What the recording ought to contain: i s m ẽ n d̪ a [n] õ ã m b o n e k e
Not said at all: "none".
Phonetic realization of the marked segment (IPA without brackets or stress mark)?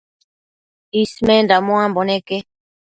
m